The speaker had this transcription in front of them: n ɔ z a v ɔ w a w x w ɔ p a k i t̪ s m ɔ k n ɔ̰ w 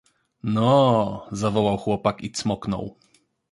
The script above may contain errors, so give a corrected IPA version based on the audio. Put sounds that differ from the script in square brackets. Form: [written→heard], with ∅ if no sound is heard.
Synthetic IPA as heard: n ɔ z a v ɔ w a w x w ɔ p a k i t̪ s m ɔ k n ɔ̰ w